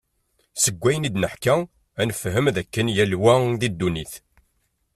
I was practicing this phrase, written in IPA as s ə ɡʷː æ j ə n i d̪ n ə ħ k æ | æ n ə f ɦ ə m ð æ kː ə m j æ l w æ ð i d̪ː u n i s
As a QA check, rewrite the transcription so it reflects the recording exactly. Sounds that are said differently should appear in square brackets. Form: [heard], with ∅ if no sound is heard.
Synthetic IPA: s ə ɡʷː æ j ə n i d̪ n ə ħ k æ | æ n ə f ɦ ə m ð æ kː ə [n] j æ l w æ ð i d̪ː u n i [θ]